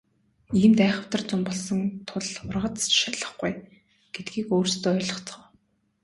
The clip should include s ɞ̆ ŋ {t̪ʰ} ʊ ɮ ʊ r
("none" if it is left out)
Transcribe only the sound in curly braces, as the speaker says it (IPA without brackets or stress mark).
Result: t̪ʰ